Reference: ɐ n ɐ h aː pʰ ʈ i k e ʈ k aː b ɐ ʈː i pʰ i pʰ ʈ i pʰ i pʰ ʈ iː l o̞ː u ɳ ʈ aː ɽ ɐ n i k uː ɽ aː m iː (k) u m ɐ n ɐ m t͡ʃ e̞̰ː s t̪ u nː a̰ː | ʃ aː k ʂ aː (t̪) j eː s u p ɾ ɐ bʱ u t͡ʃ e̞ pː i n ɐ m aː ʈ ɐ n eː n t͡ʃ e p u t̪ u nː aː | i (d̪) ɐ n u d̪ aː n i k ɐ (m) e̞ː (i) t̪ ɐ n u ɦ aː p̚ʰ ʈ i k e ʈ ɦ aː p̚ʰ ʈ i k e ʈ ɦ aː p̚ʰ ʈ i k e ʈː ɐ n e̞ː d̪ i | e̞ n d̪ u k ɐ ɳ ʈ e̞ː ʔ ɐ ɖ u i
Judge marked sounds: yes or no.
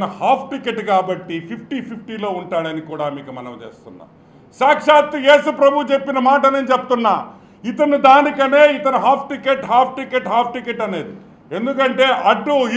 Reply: yes, yes, no, no, yes

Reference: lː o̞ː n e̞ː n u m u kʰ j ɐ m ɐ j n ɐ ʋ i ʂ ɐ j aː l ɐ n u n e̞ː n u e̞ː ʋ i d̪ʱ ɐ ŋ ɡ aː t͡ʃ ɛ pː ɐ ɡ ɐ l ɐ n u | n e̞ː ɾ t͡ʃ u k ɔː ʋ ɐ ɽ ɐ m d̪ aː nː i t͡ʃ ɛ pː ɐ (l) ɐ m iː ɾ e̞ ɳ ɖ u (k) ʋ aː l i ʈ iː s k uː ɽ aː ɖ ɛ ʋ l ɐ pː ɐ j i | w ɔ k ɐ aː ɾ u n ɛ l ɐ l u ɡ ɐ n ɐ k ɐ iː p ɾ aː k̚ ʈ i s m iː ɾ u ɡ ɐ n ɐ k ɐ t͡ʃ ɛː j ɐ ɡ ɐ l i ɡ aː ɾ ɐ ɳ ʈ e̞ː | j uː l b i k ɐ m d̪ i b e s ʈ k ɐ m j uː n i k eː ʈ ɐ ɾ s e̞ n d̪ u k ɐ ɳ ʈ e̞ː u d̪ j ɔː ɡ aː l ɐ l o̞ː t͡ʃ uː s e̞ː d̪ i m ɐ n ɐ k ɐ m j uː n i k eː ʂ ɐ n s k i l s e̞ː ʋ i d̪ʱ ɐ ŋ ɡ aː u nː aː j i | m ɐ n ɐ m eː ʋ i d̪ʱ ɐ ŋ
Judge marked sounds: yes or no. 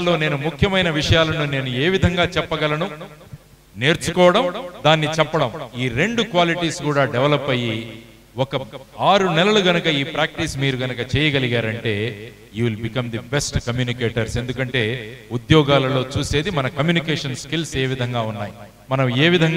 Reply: no, yes

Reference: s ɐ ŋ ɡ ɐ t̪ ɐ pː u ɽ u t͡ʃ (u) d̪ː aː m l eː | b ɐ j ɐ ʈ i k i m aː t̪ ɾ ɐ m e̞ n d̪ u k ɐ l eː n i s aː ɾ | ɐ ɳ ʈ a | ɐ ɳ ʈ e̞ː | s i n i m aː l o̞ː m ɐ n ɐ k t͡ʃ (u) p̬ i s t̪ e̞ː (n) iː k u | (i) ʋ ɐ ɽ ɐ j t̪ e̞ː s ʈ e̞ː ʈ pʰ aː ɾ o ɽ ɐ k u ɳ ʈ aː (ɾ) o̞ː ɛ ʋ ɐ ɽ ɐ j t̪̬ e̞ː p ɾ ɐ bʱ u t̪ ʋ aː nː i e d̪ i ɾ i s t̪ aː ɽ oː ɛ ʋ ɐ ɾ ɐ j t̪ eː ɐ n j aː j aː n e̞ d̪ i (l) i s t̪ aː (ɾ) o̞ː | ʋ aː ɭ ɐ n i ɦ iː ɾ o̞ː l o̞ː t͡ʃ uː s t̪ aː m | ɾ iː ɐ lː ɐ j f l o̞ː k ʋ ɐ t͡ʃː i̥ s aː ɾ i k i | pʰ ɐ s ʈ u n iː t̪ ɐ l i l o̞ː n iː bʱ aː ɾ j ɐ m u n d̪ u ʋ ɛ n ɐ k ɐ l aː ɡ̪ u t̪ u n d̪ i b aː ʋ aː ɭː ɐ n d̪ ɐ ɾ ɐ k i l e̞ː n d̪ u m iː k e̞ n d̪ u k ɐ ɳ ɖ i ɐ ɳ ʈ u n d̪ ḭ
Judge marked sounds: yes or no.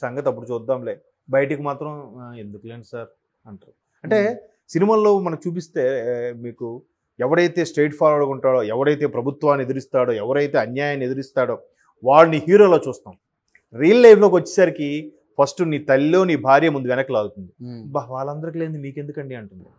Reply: no, no, no, no, no, no, no

